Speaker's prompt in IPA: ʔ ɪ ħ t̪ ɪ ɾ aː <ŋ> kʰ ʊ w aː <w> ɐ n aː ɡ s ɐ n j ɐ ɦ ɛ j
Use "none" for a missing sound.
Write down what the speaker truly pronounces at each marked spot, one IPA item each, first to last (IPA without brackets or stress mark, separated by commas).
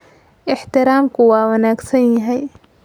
m, w